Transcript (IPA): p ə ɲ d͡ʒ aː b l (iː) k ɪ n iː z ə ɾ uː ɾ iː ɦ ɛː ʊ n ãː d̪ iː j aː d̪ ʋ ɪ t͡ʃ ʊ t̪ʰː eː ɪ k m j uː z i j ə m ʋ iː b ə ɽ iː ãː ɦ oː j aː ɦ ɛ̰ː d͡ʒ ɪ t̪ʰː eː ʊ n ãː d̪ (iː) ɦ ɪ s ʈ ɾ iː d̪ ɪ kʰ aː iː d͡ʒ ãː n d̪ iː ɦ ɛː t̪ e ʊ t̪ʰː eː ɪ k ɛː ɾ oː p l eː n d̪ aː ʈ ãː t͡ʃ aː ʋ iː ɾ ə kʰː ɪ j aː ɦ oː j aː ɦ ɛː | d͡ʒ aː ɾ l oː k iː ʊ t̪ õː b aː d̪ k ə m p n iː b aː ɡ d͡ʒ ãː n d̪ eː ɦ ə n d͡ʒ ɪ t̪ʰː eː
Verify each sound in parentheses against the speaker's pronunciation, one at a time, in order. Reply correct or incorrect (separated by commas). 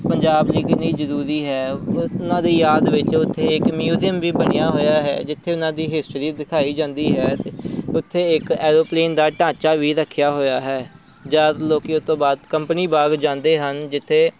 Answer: correct, correct